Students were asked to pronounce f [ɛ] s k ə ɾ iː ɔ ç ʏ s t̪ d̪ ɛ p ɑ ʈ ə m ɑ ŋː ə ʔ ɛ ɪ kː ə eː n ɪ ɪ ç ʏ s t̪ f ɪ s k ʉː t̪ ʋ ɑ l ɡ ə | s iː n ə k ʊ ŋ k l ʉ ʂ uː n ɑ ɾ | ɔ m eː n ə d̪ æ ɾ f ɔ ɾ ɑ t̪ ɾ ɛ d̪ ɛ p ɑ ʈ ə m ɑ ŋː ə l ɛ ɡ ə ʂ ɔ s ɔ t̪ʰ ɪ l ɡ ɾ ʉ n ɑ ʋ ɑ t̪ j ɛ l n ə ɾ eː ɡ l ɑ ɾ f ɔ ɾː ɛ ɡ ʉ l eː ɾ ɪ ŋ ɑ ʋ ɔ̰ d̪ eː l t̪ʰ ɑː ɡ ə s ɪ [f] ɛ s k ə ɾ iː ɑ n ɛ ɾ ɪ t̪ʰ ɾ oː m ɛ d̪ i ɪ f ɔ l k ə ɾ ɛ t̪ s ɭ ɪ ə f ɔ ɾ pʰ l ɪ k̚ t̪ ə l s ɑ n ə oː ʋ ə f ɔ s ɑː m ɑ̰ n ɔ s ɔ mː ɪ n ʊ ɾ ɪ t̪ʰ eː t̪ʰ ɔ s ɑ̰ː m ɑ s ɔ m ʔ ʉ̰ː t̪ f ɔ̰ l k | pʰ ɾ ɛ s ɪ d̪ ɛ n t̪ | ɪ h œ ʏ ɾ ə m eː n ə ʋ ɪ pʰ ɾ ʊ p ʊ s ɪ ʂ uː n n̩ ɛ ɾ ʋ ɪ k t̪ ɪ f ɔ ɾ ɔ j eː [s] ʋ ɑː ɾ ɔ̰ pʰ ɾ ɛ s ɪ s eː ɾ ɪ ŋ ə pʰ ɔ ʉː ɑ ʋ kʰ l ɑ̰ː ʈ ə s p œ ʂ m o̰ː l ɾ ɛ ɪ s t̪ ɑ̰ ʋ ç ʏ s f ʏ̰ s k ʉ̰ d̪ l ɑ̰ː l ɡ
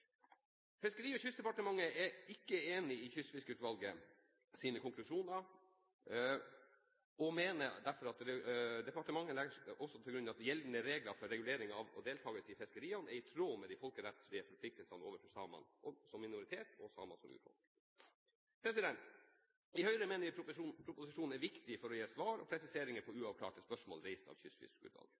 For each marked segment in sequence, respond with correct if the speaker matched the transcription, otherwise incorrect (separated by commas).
correct, correct, correct